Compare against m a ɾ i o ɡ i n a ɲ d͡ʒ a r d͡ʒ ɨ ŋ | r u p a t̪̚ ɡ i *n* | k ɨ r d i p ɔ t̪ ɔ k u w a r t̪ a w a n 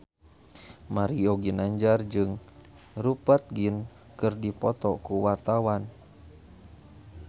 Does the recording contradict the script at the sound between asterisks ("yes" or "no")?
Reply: no